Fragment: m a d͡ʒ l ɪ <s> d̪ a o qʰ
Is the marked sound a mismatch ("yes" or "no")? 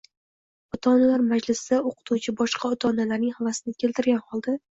no